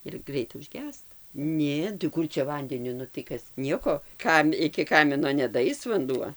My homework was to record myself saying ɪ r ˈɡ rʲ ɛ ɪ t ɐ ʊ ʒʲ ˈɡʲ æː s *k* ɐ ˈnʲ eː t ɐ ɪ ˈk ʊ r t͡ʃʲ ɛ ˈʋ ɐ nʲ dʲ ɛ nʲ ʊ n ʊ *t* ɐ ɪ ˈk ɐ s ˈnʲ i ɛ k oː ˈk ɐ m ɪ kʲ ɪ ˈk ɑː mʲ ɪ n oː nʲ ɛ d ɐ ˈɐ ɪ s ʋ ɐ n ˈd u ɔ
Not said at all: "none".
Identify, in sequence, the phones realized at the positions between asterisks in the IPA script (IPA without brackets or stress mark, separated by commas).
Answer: t, t